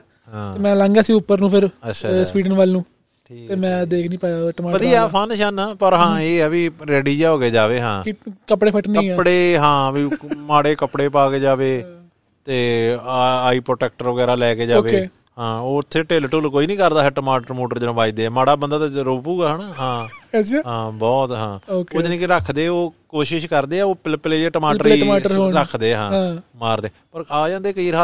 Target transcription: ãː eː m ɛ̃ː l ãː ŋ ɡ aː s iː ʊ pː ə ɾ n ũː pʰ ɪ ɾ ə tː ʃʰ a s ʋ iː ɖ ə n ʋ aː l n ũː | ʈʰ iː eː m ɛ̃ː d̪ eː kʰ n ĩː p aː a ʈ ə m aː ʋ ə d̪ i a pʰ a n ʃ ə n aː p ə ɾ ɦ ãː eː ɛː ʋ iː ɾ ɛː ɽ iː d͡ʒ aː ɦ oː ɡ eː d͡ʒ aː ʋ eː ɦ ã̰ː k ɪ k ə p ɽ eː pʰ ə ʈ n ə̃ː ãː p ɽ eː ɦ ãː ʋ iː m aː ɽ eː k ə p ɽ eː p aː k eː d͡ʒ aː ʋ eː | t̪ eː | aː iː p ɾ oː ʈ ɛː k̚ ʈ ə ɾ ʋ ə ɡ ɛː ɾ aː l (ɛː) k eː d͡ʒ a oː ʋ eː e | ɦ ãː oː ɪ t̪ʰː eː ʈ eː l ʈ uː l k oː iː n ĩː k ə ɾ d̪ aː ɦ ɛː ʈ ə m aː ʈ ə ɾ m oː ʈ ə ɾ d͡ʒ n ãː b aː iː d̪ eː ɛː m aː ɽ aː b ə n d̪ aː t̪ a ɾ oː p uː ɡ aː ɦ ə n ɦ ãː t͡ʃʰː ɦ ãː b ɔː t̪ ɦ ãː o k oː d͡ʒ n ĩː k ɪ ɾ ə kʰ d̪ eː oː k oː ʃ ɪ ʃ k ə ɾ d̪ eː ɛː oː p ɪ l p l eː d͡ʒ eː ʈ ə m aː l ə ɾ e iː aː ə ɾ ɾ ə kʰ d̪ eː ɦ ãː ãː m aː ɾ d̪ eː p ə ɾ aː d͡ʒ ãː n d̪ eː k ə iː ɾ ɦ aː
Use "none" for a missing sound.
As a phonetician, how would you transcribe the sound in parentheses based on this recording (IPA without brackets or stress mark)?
ɛː